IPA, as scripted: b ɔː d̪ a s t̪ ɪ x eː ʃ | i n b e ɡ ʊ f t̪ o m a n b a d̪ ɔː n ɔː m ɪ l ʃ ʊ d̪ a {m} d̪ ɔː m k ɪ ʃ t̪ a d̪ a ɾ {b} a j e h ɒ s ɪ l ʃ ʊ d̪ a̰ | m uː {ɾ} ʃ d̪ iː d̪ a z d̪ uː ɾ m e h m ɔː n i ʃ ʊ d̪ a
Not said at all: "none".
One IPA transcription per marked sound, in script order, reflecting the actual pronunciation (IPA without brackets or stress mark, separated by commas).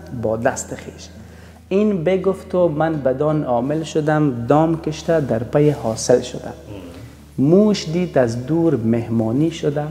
m, p, none